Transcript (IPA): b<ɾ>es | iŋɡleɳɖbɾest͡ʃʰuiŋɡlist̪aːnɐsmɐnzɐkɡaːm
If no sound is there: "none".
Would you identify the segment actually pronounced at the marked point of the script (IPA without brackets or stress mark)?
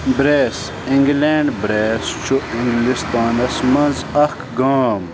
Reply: ɾ